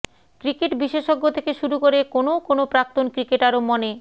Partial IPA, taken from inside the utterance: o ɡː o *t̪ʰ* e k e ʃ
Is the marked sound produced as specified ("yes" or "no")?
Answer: yes